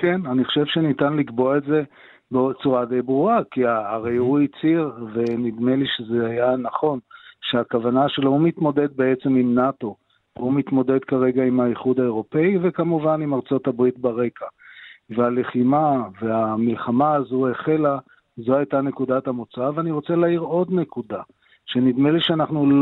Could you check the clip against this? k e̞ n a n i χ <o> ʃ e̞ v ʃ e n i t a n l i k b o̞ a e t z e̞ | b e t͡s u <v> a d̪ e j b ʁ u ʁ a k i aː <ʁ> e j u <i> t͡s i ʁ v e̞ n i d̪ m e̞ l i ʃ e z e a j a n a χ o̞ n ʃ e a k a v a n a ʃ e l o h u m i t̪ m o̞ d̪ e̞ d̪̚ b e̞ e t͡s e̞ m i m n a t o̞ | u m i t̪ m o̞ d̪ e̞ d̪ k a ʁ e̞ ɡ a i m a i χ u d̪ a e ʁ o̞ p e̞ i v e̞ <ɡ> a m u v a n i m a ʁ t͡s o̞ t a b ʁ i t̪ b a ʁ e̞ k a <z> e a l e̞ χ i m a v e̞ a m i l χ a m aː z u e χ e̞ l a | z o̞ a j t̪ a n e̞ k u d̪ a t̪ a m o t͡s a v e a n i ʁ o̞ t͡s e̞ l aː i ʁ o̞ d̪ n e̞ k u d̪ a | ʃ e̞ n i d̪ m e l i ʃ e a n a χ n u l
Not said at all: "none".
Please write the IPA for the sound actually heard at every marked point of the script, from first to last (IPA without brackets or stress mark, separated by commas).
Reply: o, ʁ, ʁ, i, k, v